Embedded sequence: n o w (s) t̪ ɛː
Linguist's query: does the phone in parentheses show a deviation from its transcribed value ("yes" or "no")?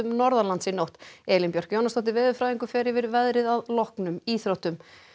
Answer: yes